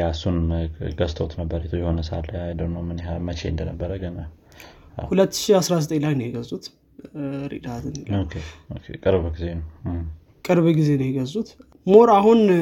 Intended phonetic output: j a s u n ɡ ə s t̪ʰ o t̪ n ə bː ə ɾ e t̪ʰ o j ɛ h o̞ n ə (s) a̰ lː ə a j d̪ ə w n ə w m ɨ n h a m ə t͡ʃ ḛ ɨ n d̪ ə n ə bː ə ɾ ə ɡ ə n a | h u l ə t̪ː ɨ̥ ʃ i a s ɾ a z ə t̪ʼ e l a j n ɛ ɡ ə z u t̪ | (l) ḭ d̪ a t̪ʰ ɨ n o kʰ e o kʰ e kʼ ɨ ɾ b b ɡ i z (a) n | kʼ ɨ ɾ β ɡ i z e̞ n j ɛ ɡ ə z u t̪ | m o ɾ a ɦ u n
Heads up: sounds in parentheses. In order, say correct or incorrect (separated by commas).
correct, incorrect, incorrect